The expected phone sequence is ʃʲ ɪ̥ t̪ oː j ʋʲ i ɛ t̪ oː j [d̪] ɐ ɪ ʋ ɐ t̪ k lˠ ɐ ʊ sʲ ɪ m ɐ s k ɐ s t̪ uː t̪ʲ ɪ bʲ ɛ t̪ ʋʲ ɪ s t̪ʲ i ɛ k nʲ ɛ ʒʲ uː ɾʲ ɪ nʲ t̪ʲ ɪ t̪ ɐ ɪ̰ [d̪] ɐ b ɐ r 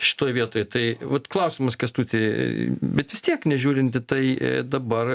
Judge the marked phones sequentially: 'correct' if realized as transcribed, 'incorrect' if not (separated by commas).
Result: incorrect, correct